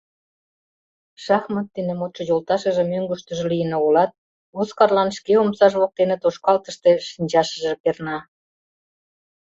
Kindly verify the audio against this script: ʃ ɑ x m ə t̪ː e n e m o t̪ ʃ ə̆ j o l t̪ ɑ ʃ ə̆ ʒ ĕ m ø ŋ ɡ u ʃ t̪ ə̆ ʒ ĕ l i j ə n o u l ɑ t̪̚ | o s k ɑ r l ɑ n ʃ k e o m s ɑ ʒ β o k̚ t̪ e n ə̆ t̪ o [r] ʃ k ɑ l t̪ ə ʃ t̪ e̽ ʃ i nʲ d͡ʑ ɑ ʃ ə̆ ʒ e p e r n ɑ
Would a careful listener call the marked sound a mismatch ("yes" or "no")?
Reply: yes